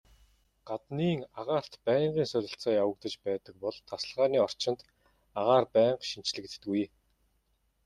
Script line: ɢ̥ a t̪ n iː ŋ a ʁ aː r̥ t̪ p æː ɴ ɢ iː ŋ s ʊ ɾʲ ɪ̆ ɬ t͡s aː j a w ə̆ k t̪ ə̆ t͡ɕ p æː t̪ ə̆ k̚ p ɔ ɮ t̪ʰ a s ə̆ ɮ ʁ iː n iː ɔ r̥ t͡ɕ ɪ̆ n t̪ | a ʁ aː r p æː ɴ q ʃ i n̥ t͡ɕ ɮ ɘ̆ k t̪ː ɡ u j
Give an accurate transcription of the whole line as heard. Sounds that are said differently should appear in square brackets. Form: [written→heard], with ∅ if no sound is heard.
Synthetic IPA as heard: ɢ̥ a t̪ n iː ŋ a ʁ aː r̥ t̪ p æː ɴ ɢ iː ŋ s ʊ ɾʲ ɪ̆ ɬ t͡s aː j a w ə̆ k t̪ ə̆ t͡ɕ p æː t̪ ə̆ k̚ p ɔ ɮ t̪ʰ a s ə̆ ɮ ʁ [iː→aː] n iː ɔ r̥ t͡ɕ ɪ̆ n t̪ | a ʁ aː r p æː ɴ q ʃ i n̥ t͡ɕ ɮ ɘ̆ k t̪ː ɡ u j